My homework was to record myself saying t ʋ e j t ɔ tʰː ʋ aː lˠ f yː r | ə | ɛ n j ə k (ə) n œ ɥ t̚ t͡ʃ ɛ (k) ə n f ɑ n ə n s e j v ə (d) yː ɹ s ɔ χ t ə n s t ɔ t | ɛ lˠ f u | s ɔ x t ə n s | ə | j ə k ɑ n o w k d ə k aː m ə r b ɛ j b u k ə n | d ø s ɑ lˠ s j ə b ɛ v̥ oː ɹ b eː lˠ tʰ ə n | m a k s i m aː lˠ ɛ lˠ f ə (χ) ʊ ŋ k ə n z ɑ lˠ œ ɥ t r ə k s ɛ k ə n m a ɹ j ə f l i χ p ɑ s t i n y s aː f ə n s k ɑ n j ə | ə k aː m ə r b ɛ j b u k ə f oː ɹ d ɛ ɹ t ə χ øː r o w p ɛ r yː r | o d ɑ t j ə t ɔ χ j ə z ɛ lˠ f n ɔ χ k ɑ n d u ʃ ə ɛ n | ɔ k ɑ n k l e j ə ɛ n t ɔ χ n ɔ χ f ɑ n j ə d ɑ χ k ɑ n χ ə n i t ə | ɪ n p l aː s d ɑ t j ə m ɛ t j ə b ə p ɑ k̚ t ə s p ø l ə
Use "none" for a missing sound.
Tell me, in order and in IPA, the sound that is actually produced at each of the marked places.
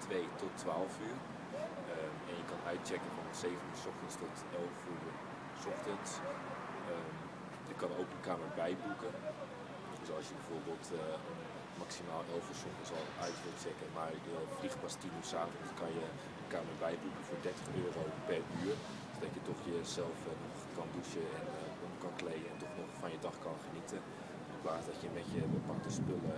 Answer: ɑ, k, n, s

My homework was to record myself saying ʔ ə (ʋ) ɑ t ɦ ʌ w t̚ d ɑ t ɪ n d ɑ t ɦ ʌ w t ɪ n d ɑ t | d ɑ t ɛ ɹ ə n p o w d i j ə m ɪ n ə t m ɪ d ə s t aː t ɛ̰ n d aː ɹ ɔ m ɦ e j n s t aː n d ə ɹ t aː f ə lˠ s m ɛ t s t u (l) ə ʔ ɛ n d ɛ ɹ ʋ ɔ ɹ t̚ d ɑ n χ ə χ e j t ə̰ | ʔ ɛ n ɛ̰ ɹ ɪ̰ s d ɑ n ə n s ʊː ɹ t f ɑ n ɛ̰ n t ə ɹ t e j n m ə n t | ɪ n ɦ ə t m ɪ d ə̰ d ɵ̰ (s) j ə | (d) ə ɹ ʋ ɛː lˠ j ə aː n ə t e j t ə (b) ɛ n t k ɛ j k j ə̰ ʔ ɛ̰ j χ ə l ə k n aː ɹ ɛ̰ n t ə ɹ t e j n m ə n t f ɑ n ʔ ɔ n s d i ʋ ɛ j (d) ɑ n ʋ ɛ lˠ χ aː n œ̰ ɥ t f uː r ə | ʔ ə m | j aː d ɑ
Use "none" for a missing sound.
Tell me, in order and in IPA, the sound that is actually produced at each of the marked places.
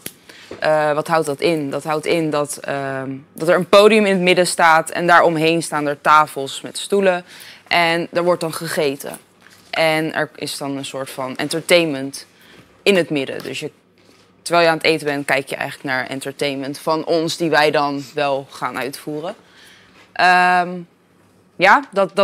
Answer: ʋ, l, s, t, b, d

